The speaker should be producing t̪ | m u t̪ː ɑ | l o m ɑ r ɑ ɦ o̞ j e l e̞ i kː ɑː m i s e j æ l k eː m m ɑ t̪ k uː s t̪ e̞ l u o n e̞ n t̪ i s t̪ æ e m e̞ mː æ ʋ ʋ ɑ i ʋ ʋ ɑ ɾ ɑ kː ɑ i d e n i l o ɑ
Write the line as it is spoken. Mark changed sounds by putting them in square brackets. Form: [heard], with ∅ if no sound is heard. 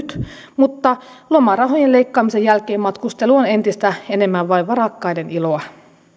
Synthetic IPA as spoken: t̪ | m u t̪ː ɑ | l o m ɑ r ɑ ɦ o̞ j e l e̞ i kː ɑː m i s e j æ l k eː m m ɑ t̪ k [u] s t̪ e̞ l u o n e̞ n t̪ i s t̪ æ e [n] e̞ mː æ ʋ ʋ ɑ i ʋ ʋ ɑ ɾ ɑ kː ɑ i d e n i l o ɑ